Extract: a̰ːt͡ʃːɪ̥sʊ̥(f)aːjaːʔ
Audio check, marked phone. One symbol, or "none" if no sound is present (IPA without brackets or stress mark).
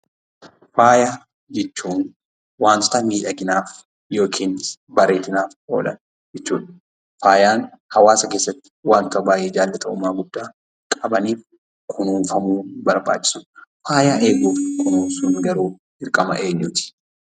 f